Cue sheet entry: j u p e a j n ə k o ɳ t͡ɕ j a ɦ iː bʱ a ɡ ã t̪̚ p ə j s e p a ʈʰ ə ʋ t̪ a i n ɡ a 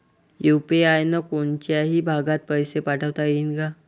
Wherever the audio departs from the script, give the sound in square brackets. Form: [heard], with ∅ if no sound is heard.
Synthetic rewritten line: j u p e a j n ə k o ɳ t͡ɕ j a ɦ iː bʱ a ɡ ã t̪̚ p ə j s e p a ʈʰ ə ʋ t̪ a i n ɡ a